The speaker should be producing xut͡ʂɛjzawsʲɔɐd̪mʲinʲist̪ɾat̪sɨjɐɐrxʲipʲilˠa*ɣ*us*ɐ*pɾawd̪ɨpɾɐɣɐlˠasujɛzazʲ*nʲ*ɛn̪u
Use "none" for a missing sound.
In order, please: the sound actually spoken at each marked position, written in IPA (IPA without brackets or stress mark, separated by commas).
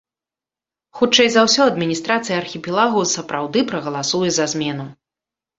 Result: ɣ, ɐ, mʲ